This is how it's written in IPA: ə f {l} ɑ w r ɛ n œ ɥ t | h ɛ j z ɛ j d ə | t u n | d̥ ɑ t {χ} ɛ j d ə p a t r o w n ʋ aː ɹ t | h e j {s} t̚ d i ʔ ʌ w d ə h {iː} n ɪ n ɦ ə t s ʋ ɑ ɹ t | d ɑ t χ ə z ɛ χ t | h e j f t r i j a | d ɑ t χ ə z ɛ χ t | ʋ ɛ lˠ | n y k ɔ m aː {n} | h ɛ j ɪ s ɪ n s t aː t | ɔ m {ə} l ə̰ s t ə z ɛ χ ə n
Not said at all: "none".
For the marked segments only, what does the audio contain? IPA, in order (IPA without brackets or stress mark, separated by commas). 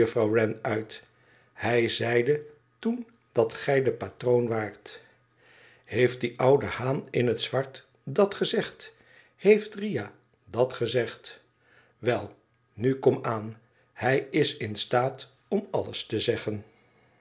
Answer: r, χ, f, aː, n, ɑ